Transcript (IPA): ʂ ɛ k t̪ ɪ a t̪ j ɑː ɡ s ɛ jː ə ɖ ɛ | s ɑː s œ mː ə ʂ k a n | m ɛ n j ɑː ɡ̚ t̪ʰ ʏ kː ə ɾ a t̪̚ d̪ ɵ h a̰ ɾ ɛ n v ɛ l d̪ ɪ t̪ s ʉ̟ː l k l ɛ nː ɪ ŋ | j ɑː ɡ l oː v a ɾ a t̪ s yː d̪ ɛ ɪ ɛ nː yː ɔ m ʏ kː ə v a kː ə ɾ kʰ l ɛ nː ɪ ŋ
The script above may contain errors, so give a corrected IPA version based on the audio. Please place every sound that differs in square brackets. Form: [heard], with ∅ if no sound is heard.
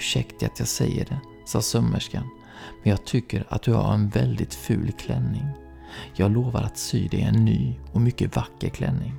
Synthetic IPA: ʂ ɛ k t̪ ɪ a t̪ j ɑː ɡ s ɛ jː ə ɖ ɛ | s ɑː s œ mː ə ʂ k a n | m ɛ n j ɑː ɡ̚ t̪ʰ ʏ kː ə ɾ a t̪̚ d̪ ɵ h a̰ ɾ ɛ n v ɛ l d̪ ɪ t̪ [f] ʉ̟ː l [kʰ] l ɛ nː ɪ ŋ | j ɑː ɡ l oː v a ɾ a t̪ s yː d̪ ɛ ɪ ɛ nː yː ɔ m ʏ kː ə v a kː ə ɾ kʰ l ɛ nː ɪ ŋ